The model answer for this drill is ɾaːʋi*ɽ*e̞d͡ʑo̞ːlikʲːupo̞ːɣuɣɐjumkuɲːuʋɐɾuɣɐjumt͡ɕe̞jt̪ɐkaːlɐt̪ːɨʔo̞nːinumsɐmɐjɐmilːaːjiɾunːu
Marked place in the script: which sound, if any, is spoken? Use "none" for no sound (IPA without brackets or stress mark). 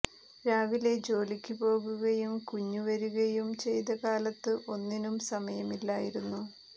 l